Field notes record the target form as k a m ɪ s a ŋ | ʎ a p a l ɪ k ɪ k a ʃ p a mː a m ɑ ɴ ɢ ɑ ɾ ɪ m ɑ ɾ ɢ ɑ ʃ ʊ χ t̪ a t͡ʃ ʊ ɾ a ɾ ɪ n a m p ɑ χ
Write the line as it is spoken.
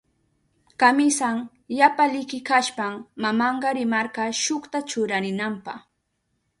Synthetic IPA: k a m ɪ s a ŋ | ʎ a p a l ɪ k ɪ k a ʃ p a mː a m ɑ ɴ ɢ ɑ ɾ ɪ m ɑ ɾ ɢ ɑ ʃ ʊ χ t̪ a t͡ʃ ʊ ɾ a ɾ ɪ n a m p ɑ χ